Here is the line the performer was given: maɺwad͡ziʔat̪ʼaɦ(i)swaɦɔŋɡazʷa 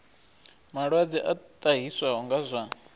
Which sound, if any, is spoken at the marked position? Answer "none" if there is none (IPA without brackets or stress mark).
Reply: i